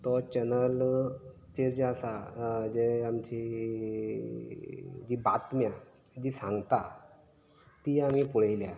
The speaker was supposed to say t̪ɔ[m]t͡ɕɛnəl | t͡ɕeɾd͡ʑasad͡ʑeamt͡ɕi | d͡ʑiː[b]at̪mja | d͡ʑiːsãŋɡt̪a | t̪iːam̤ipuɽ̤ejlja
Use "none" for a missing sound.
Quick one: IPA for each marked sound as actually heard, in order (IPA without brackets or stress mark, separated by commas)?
none, b